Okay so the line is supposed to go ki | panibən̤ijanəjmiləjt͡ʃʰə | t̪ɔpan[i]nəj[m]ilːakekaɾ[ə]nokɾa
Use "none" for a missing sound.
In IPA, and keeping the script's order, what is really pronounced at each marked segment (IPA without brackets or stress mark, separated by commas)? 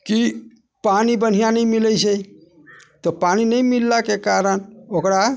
i, m, ə